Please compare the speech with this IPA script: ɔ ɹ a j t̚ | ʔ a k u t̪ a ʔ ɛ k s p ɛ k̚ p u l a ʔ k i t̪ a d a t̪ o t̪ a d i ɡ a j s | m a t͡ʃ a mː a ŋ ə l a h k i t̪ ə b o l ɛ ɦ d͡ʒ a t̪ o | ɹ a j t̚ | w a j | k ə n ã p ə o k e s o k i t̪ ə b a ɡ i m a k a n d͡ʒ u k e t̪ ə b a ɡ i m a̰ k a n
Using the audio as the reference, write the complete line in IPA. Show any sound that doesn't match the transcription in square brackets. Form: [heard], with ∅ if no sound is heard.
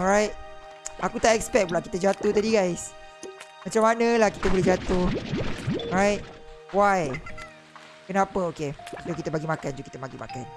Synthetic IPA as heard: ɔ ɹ a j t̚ | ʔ a k u t̪ a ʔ ɛ k s p ɛ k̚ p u l a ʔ k i t̪ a [d͡ʒ] a t̪ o t̪ a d i ɡ a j s | m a t͡ʃ a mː a [n] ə l a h k i t̪ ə b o l ɛ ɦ d͡ʒ a t̪ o | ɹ a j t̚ | w a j | k ə n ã p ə o k e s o k i t̪ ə b a ɡ i m a k a n d͡ʒ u k [i] t̪ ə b a ɡ i m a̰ k a n

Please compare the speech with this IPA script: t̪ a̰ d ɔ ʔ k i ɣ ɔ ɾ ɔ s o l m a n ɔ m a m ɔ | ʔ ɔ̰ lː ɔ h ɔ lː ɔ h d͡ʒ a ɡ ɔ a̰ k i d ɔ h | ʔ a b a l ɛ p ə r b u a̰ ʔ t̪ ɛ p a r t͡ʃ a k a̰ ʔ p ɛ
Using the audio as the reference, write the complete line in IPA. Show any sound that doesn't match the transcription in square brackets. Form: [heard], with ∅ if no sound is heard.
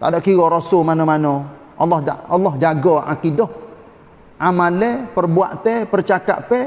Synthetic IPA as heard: t̪ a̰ d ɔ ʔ k i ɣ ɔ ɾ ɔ s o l m a n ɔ m a [n] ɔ | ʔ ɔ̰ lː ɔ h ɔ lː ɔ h d͡ʒ a ɡ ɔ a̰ k i d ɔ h | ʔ a [m] a l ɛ p ə r b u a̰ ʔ t̪ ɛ p [ə] r t͡ʃ a k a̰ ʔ p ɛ

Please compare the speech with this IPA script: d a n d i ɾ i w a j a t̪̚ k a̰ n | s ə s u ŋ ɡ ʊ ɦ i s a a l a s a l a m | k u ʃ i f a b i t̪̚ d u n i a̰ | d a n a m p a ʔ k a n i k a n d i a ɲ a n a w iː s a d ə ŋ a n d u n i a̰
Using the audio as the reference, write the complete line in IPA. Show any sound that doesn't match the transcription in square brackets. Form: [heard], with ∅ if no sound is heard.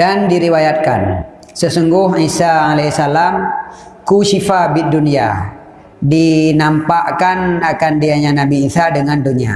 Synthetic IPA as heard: d a n d i ɾ i w a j a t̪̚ k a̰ n | s ə s u ŋ ɡ ʊ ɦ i s a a l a s a l a m | k u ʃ i f a b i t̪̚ d u n i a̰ | d [i] n a m p a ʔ k a n [a] k a n d i a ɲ a n a [b] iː s a d ə ŋ a n d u n i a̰

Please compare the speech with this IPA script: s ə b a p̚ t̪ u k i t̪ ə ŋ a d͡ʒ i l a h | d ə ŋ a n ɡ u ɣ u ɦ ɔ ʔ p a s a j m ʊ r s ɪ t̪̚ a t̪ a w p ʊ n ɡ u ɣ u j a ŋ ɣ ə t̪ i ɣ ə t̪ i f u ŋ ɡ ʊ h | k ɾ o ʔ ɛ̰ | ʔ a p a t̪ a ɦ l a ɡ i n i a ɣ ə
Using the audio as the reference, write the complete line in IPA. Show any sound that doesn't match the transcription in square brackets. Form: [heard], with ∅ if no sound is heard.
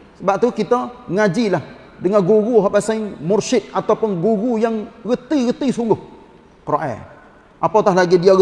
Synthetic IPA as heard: s ə b a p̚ t̪ u k i t̪ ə ŋ a d͡ʒ i l a h | d ə ŋ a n ɡ u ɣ u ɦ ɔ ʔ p a s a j m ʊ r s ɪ t̪̚ a t̪ a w p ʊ n ɡ u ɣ u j a ŋ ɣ ə t̪ i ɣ ə t̪ i [s] u ŋ ɡ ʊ h | k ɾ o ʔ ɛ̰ | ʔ a p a t̪ a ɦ l a ɡ i [d] i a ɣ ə

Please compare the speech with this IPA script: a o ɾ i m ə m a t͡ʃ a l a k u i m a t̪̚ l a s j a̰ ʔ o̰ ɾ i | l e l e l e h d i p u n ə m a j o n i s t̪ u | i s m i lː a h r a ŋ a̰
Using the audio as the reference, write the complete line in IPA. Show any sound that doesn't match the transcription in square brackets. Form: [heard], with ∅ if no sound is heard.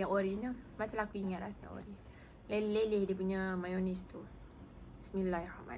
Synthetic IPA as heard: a o ɾ i [ɲ] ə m a t͡ʃ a l a k u i [ŋ] a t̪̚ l a s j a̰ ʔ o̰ ɾ i | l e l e l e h d i p u [ɲ] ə m a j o n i s t̪ u | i s m i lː a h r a [m] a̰

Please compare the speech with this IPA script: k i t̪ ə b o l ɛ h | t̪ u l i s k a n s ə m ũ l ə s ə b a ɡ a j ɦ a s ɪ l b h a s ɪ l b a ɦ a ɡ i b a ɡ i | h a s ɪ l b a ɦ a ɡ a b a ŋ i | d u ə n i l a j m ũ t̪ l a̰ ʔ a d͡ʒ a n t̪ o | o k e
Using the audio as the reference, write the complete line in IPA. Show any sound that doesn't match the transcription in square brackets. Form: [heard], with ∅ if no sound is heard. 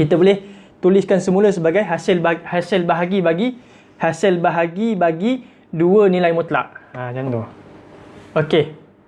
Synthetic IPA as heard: k i t̪ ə b o l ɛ h | t̪ u l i s k a n s ə m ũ l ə s ə b a ɡ a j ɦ a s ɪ l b h a s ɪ l b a ɦ a ɡ i b a ɡ i | h a s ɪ l b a ɦ a ɡ [i] b a [ɡ] i | d u ə n i l a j m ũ t̪ l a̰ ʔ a d͡ʒ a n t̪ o | o k e

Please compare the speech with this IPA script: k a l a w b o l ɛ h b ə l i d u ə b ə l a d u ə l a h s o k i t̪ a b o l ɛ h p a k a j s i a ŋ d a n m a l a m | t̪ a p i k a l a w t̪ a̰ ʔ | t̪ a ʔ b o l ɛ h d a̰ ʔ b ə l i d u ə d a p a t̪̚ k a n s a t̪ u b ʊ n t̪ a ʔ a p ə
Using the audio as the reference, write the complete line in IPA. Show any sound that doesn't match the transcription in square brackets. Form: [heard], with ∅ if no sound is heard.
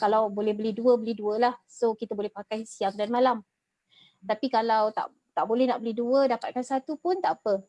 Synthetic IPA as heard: k a l a w b o l ɛ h b ə l i d u ə b ə l [i] d u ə l a h s o k i t̪ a b o l ɛ h p a k a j s i a ŋ d a n m a l a m | t̪ a p i k a l a w t̪ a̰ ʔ | t̪ a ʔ b o l ɛ h [n] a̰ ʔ b ə l i d u ə d a p a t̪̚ k a n s a t̪ u [p] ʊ n t̪ a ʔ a p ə

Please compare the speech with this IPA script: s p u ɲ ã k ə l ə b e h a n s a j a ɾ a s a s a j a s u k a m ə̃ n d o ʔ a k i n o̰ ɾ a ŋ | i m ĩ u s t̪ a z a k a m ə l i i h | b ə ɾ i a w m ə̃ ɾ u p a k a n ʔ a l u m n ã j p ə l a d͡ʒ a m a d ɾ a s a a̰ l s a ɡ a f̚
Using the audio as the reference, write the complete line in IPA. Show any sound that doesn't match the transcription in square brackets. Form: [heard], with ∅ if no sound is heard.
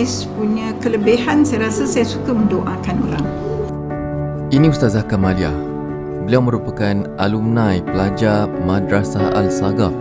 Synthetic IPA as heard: s p u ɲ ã k ə l ə b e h a n s a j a ɾ a s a s a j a s u k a m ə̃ n d o ʔ a k [a] n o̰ ɾ a ŋ | i [n] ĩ u s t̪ a z a k a m [a] l i [a] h | b ə [l] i a w m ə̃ ɾ u p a k a n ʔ a l u m n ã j p ə l a d͡ʒ a m a d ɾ a s a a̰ l s a ɡ a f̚

